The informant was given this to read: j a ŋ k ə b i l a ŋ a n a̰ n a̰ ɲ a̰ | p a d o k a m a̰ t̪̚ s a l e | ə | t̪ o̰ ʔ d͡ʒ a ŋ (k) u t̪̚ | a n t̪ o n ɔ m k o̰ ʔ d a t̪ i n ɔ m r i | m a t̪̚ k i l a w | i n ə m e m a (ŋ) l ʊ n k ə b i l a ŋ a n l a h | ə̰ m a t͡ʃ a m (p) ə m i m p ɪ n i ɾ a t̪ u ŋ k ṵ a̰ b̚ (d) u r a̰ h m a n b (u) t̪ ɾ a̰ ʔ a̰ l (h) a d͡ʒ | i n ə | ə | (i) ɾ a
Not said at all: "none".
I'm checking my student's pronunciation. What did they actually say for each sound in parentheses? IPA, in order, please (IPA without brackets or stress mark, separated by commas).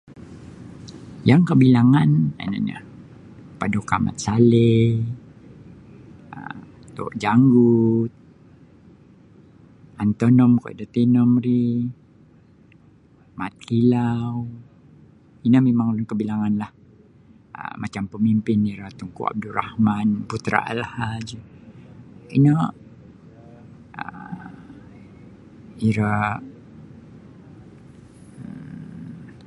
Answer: ɡ, ŋ, p, d, u, h, i